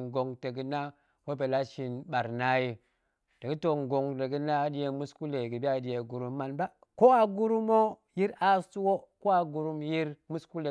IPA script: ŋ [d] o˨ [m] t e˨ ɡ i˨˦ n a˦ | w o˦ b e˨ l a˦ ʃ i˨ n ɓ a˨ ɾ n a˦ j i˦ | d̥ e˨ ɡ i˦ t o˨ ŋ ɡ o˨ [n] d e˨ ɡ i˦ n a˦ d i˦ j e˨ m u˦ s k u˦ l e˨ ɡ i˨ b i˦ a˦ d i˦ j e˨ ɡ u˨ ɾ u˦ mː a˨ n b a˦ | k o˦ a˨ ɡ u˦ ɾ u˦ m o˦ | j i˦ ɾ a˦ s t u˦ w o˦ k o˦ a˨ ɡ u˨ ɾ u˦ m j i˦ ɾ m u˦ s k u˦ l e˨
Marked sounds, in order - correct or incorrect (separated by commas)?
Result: incorrect, incorrect, incorrect